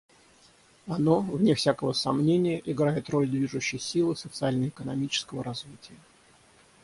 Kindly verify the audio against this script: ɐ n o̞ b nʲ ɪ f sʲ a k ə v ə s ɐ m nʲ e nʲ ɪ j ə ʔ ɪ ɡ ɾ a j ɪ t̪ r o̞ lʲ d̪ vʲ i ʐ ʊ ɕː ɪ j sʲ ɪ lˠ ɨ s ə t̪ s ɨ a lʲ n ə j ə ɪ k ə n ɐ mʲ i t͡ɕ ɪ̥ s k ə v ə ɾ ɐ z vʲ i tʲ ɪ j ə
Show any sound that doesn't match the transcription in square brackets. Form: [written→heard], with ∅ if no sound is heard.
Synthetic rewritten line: ɐ n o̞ [b→v] nʲ ɪ f sʲ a k ə v ə s ɐ m nʲ e nʲ ɪ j ə ʔ ɪ ɡ ɾ a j ɪ t̪ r o̞ lʲ d̪ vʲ i ʐ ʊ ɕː ɪ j sʲ [ɪ→i] lˠ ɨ s ə t̪ s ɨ a lʲ n ə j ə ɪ k ə n ɐ mʲ i t͡ɕ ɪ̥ s k ə v ə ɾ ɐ z vʲ i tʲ ɪ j ə